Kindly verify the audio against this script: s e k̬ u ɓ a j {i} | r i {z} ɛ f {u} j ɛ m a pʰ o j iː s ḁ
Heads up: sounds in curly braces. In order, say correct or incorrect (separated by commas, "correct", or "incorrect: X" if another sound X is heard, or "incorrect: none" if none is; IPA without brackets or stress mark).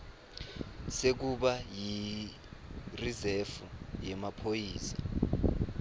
correct, correct, correct